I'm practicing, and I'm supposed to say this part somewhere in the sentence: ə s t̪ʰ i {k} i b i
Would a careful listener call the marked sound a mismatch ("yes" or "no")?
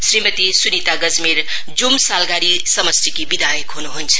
no